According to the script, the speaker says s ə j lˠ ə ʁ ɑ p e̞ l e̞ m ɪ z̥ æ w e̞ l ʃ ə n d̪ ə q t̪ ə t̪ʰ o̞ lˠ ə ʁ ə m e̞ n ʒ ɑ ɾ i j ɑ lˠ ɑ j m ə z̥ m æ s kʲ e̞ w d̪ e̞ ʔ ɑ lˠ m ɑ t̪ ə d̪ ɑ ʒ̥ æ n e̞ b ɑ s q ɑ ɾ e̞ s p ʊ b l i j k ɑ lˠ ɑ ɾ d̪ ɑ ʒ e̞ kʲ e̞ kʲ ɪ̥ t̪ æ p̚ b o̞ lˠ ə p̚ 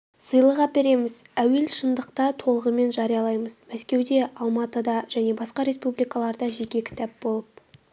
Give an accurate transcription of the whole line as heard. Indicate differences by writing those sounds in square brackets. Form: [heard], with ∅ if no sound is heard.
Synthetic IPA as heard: s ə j lˠ ə ʁ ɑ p e̞ [ɾ] e̞ m ɪ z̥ æ w e̞ l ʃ ə n d̪ ə q t̪ [ɑ] t̪ʰ o̞ lˠ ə ʁ ə m e̞ n ʒ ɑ ɾ i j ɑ lˠ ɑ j m ə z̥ m æ s kʲ e̞ w d̪ e̞ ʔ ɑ lˠ m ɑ t̪ ə d̪ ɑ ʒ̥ æ n e̞ b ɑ s q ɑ ɾ e̞ s p [u] b l i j k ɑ lˠ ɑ ɾ d̪ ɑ ʒ e̞ kʲ e̞ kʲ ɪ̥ t̪ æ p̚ b o̞ lˠ ə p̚